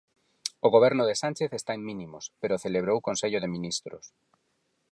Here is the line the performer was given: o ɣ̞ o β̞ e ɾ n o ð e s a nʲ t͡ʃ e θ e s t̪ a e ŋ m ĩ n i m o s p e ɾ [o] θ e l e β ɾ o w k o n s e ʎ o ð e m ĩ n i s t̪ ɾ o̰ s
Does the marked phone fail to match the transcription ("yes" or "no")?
no